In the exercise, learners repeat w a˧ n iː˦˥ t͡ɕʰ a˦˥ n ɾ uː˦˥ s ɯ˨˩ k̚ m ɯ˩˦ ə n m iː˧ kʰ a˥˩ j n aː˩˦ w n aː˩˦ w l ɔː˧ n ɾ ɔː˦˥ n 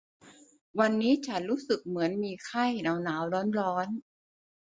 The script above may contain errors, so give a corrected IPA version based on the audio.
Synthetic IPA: w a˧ nː iː˦˥ t͡ɕʰ a˦˥ n ɾ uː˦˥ s ɯ˨˩ k̚ m ɯ˩˦ ə n m iː˧ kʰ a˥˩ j n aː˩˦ w n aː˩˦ w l ɔː˦˥ n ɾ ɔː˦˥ n